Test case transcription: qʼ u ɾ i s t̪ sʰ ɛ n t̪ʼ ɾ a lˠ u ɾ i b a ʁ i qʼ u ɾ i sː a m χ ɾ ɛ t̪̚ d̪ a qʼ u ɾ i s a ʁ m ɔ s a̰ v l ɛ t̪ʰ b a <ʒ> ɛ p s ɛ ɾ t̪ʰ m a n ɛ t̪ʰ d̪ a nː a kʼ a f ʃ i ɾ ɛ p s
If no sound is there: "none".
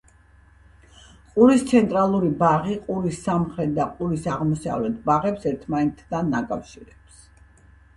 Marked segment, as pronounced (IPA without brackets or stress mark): ʁ